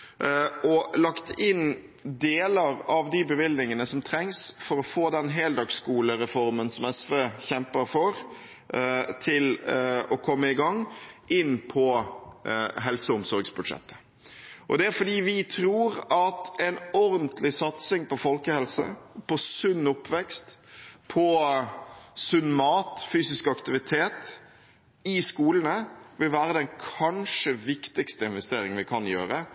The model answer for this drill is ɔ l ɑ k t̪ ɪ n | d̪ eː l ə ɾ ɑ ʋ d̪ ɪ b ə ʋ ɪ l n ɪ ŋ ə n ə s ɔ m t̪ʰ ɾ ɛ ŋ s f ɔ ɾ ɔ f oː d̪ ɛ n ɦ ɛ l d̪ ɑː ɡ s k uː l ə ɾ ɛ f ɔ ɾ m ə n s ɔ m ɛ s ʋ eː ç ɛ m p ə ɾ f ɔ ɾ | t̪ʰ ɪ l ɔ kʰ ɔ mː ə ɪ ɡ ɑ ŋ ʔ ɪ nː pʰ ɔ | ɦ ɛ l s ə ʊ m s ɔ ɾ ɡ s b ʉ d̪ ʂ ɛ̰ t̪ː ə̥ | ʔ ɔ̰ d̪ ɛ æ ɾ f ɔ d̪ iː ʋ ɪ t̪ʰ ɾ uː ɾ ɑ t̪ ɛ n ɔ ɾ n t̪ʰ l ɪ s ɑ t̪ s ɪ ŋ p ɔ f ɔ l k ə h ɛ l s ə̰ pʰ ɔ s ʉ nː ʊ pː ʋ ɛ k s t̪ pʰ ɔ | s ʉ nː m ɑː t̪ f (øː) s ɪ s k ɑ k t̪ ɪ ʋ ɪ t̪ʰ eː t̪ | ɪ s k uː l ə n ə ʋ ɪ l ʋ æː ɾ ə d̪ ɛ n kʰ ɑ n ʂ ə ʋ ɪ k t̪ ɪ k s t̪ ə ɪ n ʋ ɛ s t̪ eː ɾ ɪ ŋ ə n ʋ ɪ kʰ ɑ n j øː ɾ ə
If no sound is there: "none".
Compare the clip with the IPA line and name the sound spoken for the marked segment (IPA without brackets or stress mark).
yː